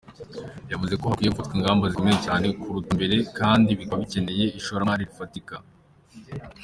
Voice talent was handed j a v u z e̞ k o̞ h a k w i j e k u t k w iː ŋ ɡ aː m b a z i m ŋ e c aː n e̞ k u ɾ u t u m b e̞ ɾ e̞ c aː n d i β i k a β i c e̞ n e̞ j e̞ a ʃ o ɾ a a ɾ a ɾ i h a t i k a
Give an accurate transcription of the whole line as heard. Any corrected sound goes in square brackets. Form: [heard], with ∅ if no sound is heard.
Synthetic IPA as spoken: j a v u z e̞ k o̞ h a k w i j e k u t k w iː ŋ ɡ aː m b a z i m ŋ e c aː n e̞ k u ɾ u t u m b e̞ ɾ e̞ [k] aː n d i β i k a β i c e̞ n e̞ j e̞ [i] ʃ o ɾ a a ɾ [i] ɾ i [f] a t i k a